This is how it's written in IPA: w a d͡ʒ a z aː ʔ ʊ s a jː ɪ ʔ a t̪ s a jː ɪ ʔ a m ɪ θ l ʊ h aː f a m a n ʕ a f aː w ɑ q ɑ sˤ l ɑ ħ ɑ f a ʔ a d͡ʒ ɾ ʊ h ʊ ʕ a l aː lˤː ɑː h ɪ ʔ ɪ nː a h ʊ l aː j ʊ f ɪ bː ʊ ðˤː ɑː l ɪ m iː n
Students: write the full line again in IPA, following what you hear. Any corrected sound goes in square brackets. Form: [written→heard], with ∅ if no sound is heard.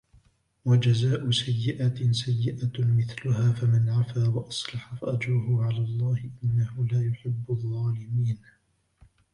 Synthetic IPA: w a d͡ʒ a z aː ʔ ʊ s a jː ɪ ʔ a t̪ s a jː ɪ ʔ a m ɪ θ l ʊ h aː f a m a n ʕ a f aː w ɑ [q→ʔ] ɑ sˤ l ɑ ħ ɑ f a ʔ a d͡ʒ ɾ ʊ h ʊ ʕ a l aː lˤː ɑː h ɪ ʔ ɪ nː a h ʊ l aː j ʊ [f→ħ] ɪ bː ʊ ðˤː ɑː l ɪ m iː n